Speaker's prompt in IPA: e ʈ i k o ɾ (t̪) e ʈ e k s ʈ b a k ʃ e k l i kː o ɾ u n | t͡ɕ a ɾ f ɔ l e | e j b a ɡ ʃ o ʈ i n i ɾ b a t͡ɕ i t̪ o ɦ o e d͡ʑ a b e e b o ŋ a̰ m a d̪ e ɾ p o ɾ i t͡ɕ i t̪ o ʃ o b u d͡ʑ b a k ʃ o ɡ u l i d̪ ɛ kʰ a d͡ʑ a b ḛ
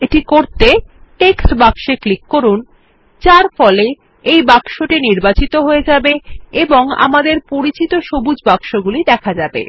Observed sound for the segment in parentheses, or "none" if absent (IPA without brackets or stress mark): t̪